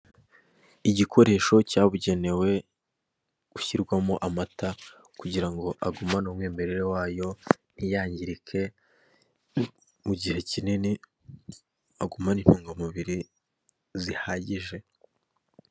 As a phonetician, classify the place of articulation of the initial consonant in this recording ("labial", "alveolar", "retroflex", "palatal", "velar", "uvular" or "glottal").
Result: palatal